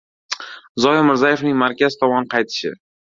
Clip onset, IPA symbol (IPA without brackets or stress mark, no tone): z